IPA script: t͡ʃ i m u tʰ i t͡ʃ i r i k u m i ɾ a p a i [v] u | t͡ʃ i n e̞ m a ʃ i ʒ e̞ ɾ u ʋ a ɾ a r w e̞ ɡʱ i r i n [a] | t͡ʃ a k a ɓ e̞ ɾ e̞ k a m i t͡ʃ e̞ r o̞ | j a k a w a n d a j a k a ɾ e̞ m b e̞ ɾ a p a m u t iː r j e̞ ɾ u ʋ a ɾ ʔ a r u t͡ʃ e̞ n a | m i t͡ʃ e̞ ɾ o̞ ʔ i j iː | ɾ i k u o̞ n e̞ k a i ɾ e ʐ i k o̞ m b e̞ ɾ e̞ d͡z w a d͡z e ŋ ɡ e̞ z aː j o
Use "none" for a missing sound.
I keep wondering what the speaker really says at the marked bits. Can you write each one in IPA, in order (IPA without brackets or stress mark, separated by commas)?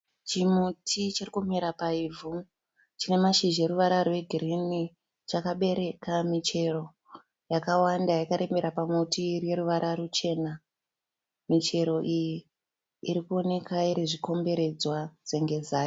v, i